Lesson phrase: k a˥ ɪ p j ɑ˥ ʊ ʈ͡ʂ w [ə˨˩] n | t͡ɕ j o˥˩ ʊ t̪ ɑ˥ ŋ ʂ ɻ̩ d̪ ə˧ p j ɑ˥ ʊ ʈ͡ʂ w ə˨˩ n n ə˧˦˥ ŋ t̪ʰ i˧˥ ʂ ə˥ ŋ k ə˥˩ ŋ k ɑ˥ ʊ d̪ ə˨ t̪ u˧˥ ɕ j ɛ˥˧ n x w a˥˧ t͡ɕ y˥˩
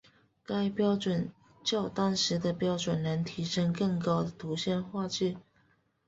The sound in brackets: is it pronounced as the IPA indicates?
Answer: yes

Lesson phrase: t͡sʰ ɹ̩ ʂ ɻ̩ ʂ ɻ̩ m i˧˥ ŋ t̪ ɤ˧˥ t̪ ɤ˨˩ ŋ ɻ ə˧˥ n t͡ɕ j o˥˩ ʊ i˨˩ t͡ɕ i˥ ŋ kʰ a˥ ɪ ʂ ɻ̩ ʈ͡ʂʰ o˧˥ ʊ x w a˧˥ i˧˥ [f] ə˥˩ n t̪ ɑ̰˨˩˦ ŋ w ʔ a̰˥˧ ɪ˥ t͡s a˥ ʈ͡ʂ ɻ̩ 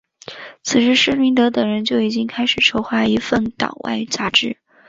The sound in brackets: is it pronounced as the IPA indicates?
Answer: yes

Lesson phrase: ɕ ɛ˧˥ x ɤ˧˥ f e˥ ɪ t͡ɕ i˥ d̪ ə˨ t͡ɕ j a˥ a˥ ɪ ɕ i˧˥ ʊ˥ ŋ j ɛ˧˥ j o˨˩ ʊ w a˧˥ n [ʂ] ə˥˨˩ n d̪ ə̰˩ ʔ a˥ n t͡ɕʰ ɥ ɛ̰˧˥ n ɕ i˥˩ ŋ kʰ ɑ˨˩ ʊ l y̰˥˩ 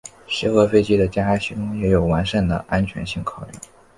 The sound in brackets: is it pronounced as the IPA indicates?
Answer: yes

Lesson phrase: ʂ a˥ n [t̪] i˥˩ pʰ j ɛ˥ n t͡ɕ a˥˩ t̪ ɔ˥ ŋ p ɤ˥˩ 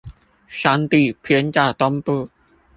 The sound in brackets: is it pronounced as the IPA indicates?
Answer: yes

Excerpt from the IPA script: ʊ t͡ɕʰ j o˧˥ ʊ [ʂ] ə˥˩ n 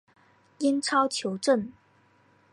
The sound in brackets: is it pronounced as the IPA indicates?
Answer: no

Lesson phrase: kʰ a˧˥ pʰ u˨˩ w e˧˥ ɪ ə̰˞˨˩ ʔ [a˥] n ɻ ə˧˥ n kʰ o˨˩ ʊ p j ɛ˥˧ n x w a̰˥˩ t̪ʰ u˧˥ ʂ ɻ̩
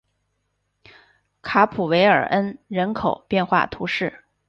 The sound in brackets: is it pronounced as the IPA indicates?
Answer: no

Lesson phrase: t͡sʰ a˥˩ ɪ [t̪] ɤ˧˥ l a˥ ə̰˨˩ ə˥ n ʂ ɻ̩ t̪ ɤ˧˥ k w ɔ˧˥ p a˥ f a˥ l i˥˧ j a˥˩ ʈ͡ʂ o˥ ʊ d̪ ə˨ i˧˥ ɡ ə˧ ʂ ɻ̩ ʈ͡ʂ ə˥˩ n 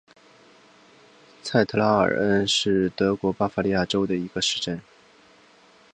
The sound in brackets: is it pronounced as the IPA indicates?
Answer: no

